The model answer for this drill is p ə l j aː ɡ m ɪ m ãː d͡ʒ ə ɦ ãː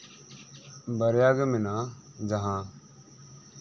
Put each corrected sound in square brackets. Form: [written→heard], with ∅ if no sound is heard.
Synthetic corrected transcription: [p→b] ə [l→ɾ] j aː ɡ m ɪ [m→n] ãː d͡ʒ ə ɦ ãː